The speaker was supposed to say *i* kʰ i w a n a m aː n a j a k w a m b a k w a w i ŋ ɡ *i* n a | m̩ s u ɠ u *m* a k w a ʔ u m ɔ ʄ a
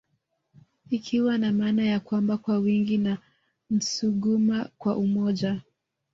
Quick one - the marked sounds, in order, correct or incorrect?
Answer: correct, correct, correct

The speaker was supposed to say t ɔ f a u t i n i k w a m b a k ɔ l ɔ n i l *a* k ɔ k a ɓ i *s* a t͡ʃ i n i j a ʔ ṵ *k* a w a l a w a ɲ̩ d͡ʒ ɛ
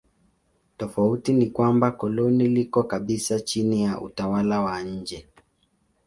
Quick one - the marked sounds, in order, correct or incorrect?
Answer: incorrect: i, correct, incorrect: t

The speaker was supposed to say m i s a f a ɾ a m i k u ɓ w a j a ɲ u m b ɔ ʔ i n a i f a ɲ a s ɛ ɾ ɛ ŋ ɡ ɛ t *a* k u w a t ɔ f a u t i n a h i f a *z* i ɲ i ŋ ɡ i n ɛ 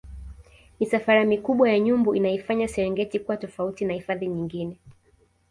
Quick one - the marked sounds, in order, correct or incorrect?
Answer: incorrect: i, incorrect: ð

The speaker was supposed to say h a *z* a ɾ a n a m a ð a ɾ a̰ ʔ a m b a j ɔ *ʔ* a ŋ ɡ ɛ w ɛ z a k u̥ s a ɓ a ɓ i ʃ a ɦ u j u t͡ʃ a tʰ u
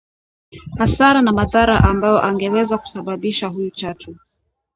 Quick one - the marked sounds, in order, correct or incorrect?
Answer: incorrect: s, correct

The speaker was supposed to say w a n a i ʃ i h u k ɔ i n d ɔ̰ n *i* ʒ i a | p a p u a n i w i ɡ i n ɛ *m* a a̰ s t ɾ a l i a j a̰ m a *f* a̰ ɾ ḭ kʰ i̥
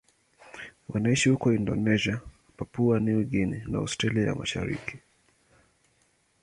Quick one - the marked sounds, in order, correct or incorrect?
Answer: incorrect: ɛ, incorrect: n, incorrect: ʃ

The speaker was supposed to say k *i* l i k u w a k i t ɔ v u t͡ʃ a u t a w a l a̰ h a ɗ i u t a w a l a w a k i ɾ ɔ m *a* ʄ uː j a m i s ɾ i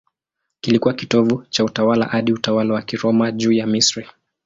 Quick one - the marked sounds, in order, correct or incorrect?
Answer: correct, correct

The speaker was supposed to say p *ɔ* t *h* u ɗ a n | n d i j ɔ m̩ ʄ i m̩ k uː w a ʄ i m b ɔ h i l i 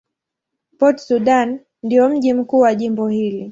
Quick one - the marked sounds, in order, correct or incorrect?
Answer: correct, incorrect: s

